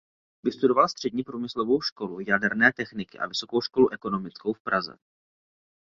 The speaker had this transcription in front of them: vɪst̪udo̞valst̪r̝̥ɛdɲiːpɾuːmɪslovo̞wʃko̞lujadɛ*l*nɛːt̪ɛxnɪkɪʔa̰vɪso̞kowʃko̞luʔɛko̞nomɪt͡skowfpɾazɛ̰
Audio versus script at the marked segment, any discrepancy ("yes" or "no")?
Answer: yes